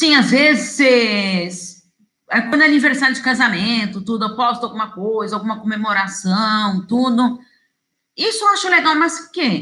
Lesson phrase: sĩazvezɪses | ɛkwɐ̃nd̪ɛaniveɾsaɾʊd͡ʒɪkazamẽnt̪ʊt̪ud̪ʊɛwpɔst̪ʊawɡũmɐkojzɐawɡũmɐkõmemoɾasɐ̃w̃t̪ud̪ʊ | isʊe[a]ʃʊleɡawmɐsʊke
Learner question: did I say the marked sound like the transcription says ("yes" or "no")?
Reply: yes